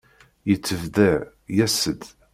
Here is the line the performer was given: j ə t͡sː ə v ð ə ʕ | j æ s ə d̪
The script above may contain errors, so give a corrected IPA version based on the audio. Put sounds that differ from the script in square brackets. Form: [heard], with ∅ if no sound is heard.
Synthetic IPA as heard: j ə t͡sː ə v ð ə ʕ | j æ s ə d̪